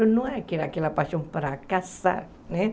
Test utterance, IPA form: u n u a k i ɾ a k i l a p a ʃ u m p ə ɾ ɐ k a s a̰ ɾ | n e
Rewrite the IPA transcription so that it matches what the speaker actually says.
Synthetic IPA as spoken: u n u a k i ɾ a k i l a p a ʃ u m p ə ɾ a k a s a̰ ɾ | n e